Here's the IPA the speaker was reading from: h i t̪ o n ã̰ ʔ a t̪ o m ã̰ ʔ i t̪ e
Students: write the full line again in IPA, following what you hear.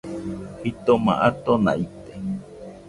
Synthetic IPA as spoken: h i t̪ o m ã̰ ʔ a t̪ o n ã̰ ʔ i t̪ e